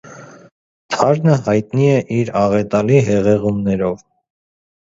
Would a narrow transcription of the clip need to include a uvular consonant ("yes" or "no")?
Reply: yes